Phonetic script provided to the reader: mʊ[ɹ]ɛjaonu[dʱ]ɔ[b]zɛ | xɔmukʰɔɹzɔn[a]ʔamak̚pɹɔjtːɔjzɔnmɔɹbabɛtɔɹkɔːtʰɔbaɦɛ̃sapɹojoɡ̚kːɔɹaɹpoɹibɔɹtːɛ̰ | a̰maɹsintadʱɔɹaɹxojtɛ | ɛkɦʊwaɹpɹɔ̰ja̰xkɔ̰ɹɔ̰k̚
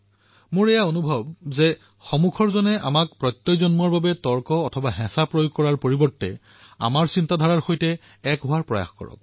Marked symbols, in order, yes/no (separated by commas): yes, no, yes, no